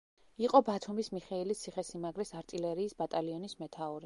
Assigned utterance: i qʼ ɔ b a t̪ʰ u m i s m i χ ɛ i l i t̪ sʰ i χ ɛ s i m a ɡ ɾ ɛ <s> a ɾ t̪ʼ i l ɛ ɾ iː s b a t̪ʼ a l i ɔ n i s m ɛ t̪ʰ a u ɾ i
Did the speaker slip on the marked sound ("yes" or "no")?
no